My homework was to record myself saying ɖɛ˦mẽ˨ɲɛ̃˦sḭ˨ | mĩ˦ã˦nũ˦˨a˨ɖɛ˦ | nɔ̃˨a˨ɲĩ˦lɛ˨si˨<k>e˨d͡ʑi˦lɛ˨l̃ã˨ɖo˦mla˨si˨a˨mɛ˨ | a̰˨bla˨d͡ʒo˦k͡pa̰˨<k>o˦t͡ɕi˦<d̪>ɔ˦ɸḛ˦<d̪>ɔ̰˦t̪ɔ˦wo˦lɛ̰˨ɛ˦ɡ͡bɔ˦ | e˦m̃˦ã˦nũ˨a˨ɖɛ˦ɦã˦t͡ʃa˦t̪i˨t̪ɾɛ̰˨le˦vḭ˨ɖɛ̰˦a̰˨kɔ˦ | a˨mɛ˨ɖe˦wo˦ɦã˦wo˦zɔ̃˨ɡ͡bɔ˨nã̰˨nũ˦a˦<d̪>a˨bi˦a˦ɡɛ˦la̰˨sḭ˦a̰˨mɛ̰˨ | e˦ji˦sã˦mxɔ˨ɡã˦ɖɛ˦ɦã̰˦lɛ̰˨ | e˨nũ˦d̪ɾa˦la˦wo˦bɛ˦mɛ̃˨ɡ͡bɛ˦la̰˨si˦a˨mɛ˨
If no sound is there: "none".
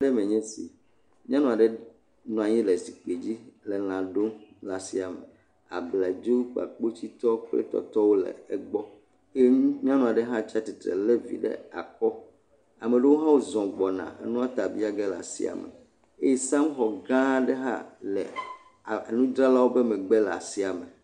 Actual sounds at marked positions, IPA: k͡p, k͡p, t̪, t̪, t̪

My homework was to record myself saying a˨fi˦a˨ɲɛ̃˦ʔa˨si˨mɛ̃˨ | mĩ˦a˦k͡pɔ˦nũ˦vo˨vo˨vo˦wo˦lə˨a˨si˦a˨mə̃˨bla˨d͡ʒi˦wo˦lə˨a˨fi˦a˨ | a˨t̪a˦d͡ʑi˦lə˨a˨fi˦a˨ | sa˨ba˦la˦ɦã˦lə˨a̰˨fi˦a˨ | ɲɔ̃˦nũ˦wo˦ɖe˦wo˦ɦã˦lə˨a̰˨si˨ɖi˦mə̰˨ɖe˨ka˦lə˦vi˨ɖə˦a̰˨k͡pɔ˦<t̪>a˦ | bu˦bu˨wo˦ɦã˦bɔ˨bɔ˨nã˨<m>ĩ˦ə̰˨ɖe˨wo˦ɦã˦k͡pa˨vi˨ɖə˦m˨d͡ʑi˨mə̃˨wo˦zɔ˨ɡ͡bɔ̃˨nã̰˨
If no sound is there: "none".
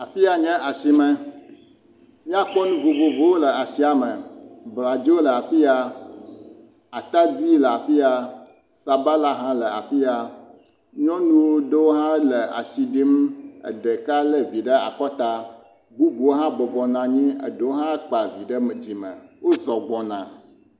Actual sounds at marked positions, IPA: t̪, ɲ

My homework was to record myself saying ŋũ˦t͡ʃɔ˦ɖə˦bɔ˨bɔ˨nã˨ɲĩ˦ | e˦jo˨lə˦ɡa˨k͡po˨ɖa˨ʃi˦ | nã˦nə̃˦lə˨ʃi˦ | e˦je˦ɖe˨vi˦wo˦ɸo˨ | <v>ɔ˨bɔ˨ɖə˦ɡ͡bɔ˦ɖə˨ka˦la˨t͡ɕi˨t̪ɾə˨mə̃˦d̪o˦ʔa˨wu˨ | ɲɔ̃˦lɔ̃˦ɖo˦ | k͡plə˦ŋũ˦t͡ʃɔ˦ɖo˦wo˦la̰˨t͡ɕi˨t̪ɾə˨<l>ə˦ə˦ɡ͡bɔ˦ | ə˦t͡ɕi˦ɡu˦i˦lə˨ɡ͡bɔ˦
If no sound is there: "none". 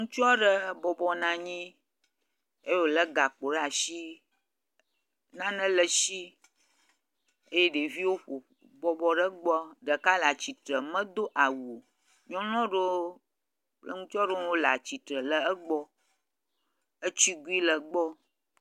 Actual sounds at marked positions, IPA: b, l

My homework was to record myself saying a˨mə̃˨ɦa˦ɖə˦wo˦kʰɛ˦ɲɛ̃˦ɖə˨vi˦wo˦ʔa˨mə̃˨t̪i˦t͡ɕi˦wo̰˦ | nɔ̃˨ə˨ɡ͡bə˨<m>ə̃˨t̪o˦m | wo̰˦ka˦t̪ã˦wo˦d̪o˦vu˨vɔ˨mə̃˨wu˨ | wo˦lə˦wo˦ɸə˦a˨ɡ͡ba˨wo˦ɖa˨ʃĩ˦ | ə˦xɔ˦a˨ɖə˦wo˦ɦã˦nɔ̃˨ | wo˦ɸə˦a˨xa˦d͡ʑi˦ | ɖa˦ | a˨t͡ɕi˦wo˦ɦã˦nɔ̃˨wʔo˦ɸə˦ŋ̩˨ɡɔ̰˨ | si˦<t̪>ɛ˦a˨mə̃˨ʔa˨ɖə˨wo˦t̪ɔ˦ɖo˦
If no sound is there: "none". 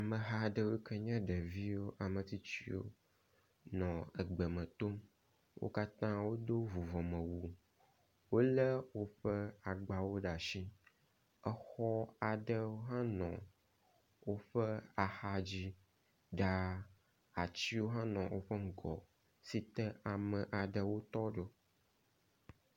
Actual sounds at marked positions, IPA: m, t̪

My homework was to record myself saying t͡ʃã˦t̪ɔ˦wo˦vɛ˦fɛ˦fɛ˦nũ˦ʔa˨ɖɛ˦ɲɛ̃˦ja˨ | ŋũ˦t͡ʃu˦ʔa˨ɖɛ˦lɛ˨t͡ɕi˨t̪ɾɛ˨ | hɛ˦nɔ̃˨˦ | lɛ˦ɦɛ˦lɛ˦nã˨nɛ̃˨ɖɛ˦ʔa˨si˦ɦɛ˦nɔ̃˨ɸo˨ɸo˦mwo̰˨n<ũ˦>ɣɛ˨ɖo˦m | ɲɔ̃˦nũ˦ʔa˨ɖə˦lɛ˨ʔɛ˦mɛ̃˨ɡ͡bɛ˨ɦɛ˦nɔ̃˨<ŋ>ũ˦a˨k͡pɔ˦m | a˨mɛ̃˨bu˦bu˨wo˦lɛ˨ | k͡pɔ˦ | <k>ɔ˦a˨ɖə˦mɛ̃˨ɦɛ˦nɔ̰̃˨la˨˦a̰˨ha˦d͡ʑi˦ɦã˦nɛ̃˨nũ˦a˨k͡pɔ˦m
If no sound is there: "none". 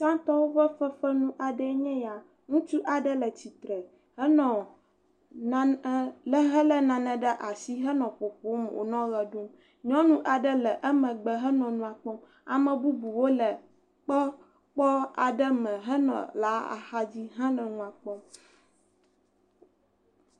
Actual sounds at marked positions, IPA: ɔ̃˦, n, k͡p

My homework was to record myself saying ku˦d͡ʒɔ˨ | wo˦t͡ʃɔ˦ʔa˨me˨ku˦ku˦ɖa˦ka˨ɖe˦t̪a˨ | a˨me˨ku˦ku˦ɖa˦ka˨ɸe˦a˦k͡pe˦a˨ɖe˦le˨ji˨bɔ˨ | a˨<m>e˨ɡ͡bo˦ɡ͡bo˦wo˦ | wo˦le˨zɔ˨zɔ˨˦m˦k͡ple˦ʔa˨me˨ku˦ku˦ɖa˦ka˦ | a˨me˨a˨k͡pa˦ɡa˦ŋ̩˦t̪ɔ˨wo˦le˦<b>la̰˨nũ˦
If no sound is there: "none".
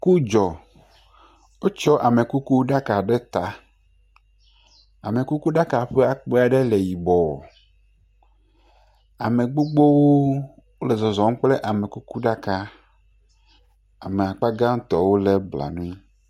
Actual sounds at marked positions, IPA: m, b

